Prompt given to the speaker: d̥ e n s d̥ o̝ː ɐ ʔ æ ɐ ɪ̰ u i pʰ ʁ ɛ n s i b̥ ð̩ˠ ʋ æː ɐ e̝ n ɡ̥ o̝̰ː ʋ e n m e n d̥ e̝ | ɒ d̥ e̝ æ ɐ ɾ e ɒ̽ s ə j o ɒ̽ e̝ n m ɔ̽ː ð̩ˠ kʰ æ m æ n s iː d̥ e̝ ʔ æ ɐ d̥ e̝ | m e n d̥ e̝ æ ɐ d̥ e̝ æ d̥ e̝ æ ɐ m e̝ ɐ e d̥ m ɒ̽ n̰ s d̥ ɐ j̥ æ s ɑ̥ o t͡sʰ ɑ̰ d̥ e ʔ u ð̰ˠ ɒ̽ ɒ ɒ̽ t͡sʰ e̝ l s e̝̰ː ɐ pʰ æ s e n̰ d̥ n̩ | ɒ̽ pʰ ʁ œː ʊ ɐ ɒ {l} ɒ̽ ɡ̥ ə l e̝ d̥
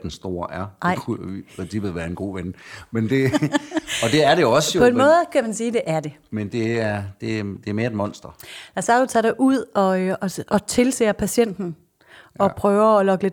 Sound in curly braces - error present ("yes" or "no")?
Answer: no